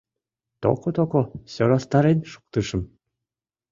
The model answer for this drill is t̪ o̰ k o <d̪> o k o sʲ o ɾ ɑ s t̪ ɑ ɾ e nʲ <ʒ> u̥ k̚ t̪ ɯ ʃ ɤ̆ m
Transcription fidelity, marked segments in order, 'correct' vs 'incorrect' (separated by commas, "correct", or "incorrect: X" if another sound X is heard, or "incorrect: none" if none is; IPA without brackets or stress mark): incorrect: t̪, incorrect: ʃ